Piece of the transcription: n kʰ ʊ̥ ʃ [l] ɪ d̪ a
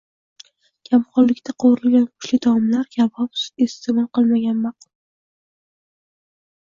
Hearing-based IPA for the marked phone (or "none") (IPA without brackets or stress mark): l